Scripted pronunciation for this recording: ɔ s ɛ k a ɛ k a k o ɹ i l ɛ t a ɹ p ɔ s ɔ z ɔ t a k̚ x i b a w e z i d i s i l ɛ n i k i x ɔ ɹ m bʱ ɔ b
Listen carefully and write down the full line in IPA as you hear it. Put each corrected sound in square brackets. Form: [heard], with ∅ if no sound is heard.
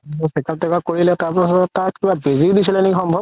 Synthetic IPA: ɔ s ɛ k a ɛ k a k o ɹ i l ɛ t a ɹ p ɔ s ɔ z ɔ t a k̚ [k] i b a [b] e z i d i s i l ɛ n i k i x ɔ [∅] m bʱ ɔ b